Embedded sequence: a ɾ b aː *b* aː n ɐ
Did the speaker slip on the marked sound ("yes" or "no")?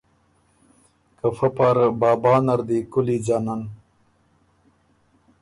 no